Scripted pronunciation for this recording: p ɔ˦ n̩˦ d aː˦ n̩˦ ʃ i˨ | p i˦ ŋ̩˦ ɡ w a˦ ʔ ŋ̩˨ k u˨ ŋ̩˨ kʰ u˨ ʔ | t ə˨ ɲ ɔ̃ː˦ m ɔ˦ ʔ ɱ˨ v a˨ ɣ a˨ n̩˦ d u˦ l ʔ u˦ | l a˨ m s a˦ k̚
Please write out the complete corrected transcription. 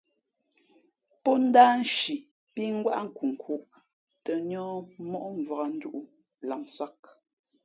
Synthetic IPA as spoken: p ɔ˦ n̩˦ d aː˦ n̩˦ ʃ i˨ | p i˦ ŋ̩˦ ɡ w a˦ ʔ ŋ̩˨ k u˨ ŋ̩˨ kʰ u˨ ʔ | t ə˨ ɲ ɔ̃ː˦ m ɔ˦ ʔ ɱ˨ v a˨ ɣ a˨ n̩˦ d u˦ ʔ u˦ | l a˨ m s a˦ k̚